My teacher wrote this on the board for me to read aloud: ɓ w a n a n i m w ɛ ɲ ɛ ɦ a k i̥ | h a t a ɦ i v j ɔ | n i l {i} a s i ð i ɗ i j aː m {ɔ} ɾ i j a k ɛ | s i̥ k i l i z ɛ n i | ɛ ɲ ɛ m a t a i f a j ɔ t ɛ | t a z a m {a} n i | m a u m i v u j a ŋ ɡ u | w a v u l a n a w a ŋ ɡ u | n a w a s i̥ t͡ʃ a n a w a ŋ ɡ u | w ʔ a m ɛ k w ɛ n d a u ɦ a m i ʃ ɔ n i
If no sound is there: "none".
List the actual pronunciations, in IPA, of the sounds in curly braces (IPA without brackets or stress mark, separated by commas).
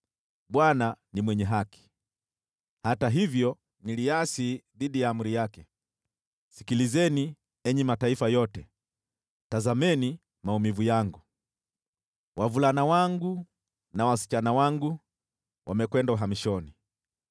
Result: i, u, ɛ